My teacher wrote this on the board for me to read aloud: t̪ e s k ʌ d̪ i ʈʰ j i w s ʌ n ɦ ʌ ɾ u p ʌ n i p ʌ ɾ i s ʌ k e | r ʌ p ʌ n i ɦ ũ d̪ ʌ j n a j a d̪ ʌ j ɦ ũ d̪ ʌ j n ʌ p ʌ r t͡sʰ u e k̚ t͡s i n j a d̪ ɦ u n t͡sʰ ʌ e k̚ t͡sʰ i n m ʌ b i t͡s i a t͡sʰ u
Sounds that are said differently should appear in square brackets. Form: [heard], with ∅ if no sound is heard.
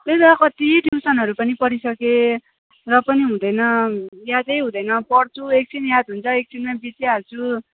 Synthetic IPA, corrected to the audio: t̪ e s k ʌ [t̪] i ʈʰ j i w s ʌ n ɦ ʌ ɾ u p ʌ n i p ʌ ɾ i s ʌ k e | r ʌ p ʌ n i ɦ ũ d̪ ʌ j n [ʌ] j a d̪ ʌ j ɦ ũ d̪ ʌ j n ʌ p ʌ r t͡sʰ u e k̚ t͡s i n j a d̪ ɦ u n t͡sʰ ʌ e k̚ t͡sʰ i n m [a] b i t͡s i a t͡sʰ u